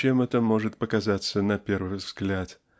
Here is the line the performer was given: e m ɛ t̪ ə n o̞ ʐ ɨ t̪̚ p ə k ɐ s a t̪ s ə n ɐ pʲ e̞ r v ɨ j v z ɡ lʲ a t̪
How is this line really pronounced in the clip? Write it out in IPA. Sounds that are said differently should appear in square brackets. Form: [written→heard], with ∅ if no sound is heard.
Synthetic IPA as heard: e m ɛ t̪ ə [n→m] o̞ ʐ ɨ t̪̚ p ə k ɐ [s→z] a t̪ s ə n ɐ pʲ e̞ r v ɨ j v z ɡ lʲ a t̪

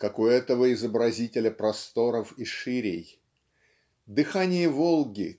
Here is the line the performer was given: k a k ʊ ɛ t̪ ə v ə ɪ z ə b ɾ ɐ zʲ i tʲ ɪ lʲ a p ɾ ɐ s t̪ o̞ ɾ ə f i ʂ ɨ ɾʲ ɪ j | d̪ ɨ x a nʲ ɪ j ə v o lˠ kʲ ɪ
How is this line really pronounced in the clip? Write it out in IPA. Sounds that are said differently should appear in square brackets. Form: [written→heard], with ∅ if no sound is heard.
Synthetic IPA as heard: k a k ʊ ɛ t̪ ə v ə ɪ z ə b ɾ ɐ zʲ i tʲ ɪ lʲ [a→ə] p ɾ ɐ s t̪ o̞ ɾ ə f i ʂ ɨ ɾʲ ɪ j | d̪ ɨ x a nʲ ɪ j ə v o lˠ [kʲ→ɡʲ] ɪ

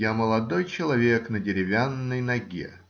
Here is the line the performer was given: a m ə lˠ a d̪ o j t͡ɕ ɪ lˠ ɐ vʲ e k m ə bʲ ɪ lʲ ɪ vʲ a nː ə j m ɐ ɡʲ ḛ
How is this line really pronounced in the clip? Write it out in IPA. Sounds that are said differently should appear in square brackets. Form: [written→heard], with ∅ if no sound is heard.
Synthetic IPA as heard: a m ə lˠ [a→ɐ] d̪ o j t͡ɕ ɪ lˠ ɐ vʲ e k [m→n] ə [bʲ→dʲ] ɪ [lʲ→ɾʲ] ɪ vʲ a nː ə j [m→n] ɐ ɡʲ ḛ

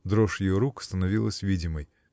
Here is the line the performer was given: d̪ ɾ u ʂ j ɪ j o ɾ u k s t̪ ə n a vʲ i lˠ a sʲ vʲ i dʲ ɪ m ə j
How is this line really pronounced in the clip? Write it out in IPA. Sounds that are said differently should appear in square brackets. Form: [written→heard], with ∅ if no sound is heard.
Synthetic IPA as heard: d̪ ɾ [u→o] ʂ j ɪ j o ɾ u k s t̪ ə n [a→ɐ] vʲ i lˠ [a→ə] sʲ vʲ i dʲ ɪ m ə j

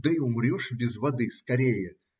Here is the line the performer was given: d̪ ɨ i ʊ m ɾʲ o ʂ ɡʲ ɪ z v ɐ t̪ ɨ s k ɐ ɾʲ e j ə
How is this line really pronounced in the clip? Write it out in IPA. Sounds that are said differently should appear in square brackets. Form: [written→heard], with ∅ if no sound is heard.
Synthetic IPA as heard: d̪ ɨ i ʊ m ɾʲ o ʂ [ɡʲ→bʲ] ɪ z v ɐ [t̪→d̪] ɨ s k ɐ ɾʲ e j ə

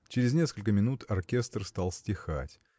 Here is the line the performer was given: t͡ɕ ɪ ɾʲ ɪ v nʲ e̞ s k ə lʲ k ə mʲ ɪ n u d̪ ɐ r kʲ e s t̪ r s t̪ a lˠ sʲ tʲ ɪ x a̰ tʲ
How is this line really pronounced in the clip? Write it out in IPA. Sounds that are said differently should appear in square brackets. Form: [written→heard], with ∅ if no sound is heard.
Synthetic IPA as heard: t͡ɕ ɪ ɾʲ ɪ [v→z] nʲ e̞ s k ə lʲ k ə mʲ ɪ n u [d̪→t̪] ɐ r kʲ e s t̪ r s t̪ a lˠ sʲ tʲ ɪ x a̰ tʲ

